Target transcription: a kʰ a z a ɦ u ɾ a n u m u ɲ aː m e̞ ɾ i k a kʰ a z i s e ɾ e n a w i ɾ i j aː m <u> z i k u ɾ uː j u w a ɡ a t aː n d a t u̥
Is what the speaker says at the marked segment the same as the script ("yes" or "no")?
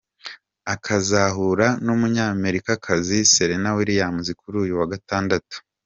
yes